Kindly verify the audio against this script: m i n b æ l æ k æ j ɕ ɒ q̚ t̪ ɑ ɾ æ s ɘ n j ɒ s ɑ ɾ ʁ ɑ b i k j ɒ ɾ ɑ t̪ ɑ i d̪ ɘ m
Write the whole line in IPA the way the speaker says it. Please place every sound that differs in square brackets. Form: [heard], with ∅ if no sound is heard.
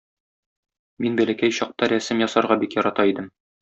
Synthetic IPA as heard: m i n b æ l æ k æ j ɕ ɒ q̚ t̪ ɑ ɾ æ s ɘ [m] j ɒ s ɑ ɾ ʁ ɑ b i k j ɒ ɾ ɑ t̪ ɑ i d̪ ɘ m